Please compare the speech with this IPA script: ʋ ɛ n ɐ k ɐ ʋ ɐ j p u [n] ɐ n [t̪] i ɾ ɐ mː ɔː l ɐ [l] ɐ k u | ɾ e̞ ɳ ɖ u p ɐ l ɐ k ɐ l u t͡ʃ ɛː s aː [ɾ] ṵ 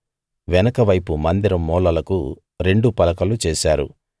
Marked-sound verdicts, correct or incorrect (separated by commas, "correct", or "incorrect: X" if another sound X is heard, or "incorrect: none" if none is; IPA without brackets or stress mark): incorrect: m, incorrect: d̪, correct, correct